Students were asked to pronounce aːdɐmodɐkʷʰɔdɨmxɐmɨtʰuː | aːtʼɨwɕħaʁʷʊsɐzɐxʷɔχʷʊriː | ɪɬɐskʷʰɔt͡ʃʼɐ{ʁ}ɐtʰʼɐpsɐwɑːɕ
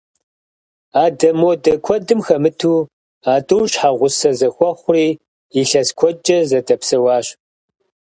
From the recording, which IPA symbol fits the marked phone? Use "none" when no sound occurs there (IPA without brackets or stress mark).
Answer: z